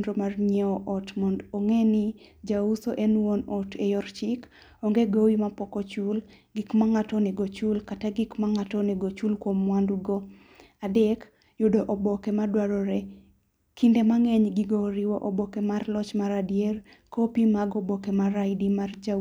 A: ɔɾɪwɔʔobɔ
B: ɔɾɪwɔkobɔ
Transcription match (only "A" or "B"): A